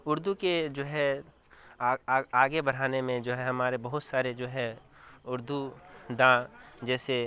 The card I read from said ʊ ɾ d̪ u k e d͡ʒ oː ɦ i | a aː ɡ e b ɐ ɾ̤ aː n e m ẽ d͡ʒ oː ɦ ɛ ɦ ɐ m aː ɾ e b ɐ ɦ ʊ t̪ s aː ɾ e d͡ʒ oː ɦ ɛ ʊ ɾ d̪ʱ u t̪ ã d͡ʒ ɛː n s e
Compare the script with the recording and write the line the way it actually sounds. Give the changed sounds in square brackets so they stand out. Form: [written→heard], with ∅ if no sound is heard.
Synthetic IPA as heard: ʊ ɾ d̪ u k e d͡ʒ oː ɦ [i→ɛ] | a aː ɡ e b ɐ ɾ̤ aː n e m ẽ d͡ʒ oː ɦ ɛ ɦ ɐ m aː ɾ e b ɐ ɦ ʊ t̪ s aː ɾ e d͡ʒ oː ɦ ɛ ʊ ɾ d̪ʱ u [t̪→d̪] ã d͡ʒ ɛː [n→∅] s e